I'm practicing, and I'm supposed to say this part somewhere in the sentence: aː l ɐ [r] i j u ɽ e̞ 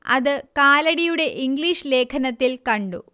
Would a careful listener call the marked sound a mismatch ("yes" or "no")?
yes